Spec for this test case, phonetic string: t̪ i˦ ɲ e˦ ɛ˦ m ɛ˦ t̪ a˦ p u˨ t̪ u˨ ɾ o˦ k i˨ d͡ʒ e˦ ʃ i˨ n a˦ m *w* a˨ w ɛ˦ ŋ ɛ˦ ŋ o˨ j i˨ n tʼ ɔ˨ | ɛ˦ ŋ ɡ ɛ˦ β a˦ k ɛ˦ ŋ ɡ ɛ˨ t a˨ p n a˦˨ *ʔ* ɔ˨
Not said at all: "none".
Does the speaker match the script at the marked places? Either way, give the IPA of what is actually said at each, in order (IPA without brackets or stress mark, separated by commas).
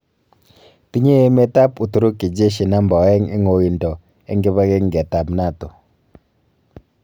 b, t